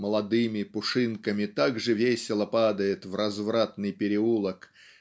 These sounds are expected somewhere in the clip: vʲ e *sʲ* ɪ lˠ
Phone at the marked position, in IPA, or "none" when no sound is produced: sʲ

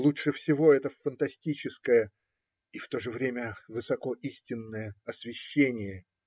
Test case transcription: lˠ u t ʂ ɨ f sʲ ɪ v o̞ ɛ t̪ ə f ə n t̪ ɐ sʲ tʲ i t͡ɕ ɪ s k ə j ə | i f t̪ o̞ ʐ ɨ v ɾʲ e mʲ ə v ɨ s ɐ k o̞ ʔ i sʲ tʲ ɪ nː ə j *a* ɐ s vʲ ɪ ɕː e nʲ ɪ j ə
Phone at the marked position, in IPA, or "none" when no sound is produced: ə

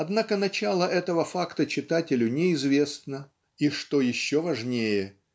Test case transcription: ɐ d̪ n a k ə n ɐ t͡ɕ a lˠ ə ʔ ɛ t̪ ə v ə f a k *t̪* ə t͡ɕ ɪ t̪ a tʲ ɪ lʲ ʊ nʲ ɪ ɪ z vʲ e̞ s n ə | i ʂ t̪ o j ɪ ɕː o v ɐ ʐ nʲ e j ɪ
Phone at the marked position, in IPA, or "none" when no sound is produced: t̪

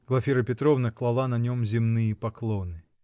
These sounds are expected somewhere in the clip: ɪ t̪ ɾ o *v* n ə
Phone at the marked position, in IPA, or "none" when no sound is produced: v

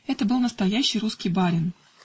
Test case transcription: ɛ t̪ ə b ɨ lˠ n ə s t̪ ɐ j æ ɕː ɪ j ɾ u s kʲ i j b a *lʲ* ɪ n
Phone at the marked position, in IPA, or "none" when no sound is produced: ɾʲ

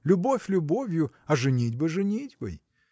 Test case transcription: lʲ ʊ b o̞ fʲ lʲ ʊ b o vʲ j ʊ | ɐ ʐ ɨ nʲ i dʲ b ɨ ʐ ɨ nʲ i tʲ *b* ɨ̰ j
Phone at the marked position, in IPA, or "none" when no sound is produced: b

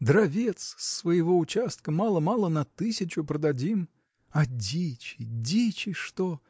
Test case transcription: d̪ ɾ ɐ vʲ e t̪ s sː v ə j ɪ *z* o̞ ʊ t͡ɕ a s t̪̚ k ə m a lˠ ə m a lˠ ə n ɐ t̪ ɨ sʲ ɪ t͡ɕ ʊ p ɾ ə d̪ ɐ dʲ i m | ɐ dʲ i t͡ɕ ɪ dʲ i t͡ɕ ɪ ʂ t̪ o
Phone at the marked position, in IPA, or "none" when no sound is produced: v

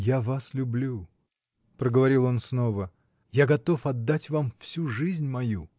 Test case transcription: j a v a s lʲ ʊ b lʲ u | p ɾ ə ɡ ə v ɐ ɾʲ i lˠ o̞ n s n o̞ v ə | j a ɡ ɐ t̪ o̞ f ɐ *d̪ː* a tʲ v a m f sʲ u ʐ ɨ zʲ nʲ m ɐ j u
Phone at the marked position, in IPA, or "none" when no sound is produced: d̪ː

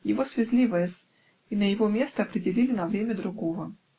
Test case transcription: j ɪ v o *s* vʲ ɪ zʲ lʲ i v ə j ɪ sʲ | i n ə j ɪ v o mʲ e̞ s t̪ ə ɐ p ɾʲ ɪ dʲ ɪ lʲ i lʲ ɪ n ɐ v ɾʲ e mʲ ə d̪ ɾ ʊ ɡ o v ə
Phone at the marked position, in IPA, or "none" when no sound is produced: s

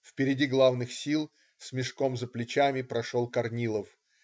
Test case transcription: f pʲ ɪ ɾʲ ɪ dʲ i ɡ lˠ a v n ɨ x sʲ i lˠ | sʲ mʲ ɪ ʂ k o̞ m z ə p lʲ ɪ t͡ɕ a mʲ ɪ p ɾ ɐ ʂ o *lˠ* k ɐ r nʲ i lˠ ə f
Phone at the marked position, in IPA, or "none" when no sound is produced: lˠ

